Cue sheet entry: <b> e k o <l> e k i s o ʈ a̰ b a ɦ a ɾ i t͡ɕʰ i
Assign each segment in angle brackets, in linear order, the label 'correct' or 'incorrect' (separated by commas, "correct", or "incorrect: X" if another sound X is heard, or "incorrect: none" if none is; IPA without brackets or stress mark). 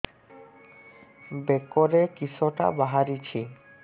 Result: correct, incorrect: ɾ